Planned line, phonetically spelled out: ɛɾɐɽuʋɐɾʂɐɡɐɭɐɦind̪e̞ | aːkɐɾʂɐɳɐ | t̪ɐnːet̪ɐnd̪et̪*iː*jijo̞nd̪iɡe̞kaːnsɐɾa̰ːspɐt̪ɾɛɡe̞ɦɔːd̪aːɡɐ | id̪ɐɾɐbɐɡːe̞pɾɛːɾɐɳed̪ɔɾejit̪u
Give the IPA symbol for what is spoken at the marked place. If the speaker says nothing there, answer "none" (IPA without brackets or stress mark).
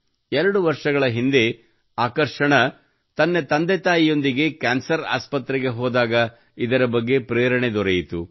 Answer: aː